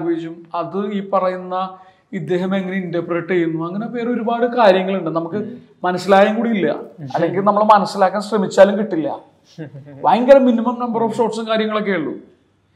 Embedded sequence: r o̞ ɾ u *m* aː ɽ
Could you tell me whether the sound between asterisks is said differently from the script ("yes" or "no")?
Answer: yes